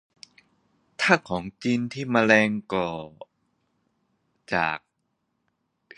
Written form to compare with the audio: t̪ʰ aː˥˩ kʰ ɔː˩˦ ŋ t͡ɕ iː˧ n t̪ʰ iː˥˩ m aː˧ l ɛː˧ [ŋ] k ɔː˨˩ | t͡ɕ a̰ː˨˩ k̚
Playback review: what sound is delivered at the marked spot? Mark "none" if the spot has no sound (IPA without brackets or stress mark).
ŋ